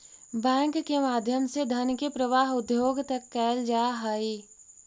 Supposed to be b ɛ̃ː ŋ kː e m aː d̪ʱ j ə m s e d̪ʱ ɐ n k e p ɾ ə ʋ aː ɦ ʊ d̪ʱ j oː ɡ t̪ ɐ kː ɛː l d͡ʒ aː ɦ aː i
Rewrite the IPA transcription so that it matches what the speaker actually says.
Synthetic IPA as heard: b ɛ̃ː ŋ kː e m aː d̪ʱ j ə m s e d̪ʱ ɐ n k e p ɾ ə ʋ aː ɦ ʊ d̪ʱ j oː ɡ t̪ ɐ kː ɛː l d͡ʒ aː ɦ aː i